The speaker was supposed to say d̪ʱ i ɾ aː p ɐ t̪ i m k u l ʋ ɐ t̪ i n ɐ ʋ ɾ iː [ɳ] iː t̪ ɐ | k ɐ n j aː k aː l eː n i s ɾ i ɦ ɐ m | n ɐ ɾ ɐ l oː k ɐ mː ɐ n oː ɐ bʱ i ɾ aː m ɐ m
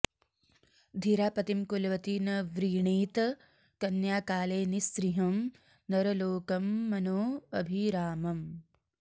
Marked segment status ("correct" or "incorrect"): correct